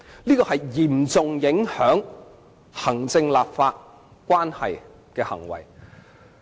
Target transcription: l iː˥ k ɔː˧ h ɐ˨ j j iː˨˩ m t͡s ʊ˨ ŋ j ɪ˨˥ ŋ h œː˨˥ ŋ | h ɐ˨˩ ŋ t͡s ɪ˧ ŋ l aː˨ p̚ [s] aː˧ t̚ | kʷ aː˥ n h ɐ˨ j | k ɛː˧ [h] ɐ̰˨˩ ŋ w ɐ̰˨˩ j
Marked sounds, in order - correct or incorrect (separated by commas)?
incorrect, correct